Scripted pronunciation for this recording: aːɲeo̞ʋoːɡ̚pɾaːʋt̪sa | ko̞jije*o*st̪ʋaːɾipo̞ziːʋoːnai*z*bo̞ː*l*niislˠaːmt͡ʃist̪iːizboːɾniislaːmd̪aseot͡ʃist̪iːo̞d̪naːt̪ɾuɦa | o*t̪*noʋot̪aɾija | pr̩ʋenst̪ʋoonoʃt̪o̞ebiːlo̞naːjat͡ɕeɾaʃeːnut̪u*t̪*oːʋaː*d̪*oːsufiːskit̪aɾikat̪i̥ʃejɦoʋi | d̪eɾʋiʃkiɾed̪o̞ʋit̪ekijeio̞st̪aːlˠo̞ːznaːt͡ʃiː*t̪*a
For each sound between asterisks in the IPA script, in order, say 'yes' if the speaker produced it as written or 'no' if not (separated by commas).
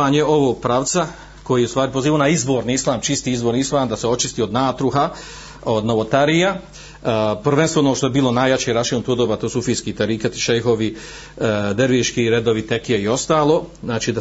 no, yes, no, no, no, no, no